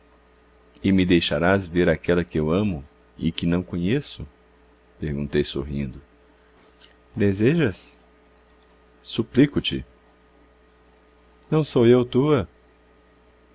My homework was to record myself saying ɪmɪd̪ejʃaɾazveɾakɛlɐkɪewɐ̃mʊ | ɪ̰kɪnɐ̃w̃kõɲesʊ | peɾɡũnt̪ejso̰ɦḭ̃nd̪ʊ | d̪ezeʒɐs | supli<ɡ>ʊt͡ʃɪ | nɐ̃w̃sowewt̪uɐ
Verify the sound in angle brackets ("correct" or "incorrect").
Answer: incorrect